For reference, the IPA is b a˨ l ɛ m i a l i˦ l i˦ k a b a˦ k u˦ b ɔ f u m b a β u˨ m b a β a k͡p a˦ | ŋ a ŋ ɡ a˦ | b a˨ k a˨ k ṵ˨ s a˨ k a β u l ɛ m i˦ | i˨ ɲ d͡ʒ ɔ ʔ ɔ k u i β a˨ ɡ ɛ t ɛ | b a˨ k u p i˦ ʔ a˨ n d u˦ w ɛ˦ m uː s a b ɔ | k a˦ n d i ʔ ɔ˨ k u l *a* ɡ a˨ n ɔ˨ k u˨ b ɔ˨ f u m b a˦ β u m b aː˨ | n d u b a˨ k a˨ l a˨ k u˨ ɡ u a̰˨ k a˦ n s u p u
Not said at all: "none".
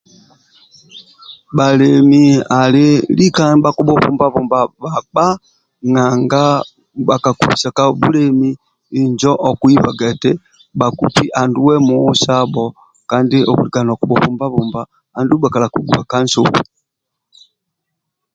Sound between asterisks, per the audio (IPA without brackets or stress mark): i